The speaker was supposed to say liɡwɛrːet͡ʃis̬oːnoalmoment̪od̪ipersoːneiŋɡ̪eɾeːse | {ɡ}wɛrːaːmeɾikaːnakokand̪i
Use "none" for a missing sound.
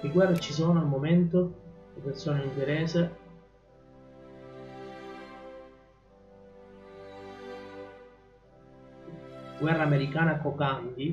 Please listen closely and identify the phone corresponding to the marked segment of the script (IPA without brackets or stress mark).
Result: ɡ